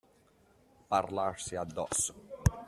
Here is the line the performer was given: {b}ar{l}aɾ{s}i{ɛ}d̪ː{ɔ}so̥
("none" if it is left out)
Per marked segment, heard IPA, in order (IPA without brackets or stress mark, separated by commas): p, l, s, a, ɔ